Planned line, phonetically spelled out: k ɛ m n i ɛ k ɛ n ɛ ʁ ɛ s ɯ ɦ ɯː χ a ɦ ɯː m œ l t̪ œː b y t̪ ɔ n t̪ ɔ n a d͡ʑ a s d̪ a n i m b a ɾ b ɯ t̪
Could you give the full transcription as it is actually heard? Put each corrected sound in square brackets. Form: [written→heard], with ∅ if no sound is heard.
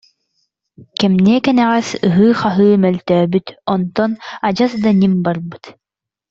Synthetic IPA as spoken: k ɛ m n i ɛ k ɛ n ɛ ʁ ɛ s ɯ ɦ ɯː χ a ɦ ɯː m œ l t̪ œː b y t̪ ɔ n t̪ ɔ n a d͡ʑ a s d̪ a n i m b a ɾ b ɯ t̪